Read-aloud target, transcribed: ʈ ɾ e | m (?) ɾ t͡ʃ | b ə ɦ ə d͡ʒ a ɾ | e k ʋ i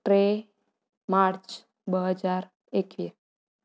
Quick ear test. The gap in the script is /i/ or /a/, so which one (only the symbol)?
a